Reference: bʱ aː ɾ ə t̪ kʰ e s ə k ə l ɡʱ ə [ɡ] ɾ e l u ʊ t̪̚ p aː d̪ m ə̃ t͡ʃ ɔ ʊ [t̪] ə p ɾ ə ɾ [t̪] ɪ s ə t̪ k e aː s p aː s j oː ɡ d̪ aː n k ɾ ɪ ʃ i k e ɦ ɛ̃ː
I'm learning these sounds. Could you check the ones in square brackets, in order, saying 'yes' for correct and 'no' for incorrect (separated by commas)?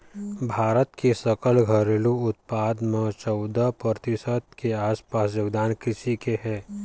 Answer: no, no, yes